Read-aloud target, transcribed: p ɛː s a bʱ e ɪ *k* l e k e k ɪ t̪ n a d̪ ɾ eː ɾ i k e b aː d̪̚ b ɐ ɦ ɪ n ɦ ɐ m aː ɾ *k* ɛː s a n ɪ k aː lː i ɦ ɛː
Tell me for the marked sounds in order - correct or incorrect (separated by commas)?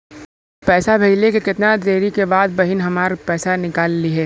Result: incorrect, incorrect